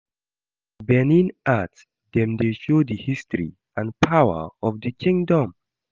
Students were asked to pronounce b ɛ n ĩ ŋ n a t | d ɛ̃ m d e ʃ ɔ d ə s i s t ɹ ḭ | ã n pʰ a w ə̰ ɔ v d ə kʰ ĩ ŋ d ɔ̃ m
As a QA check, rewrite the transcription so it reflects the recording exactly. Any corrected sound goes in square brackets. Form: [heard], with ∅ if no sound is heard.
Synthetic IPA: b ɛ n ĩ [∅] n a t | d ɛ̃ m d e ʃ [o] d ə [h] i s t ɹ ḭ | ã n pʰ a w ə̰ ɔ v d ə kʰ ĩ ŋ d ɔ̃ m